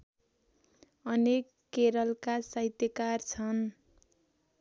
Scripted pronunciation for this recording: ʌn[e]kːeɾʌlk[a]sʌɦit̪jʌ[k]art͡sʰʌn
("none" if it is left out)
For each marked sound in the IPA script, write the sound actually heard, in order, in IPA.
e, a, k

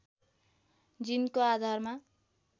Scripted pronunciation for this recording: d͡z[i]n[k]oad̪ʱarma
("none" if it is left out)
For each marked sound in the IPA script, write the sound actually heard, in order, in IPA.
i, k

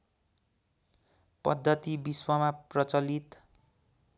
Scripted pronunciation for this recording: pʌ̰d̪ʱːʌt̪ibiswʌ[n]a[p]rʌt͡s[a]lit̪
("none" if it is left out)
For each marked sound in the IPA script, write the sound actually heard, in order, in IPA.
m, p, ʌ

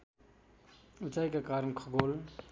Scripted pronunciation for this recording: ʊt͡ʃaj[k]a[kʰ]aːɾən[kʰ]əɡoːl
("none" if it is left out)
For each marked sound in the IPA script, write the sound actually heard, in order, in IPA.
k, k, kʰ

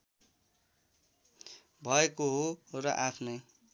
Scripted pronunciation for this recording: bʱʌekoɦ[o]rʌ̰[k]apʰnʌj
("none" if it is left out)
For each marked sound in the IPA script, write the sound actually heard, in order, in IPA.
o, ʔ

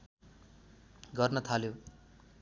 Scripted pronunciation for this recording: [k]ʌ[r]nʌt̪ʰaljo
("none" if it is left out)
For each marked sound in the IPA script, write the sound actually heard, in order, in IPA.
ɡ, r

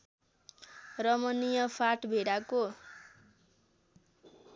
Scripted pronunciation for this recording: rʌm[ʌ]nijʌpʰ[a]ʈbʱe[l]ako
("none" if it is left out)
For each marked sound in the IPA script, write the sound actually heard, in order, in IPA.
ʌ, a, ɽ

